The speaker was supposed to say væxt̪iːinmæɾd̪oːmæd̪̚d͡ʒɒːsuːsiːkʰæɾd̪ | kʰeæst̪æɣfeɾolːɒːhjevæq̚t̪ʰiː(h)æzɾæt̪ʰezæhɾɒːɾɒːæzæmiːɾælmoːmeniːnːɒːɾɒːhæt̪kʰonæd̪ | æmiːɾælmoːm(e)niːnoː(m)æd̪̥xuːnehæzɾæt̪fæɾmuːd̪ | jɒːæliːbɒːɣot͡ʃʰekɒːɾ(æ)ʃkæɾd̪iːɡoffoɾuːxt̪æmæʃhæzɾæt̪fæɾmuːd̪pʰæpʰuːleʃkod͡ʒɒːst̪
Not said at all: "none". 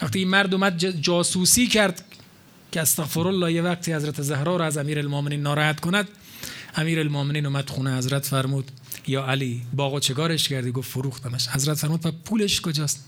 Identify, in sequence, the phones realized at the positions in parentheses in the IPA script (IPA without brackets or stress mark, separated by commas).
h, e, m, e